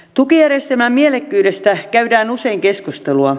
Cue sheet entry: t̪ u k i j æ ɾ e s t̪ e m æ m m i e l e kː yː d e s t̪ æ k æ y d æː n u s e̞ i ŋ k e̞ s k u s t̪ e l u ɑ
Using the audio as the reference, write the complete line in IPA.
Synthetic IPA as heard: t̪ u k i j æ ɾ e s t̪ e m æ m m i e l e kː yː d e s t̪ æ k æ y d æː n u s e̞ i ŋ k e̞ s k u s t̪ e l u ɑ